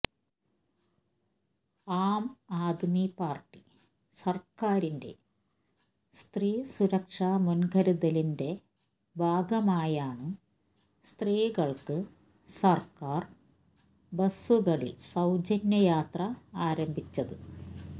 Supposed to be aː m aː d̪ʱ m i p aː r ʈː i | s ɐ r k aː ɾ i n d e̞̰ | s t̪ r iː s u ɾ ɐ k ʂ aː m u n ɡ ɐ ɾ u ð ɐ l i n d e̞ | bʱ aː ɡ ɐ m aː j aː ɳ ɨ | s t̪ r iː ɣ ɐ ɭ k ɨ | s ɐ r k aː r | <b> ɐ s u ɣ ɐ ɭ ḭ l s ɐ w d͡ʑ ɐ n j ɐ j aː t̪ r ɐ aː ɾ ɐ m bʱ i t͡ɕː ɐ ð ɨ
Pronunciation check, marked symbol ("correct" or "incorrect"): correct